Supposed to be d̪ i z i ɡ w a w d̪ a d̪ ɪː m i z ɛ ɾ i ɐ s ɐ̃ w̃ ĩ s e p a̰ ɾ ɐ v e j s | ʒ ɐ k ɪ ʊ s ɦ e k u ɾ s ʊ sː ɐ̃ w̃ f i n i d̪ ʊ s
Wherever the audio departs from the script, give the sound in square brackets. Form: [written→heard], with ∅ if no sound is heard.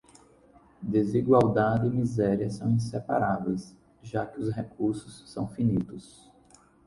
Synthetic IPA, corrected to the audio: d̪ [i→e] z i ɡ w a w d̪ a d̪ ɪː m i z ɛ ɾ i ɐ s ɐ̃ w̃ ĩ s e p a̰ ɾ [ɐ→a] v e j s | ʒ [ɐ→a] k ɪ ʊ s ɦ e k u ɾ s ʊ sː ɐ̃ w̃ f i n i [d̪→t̪] ʊ s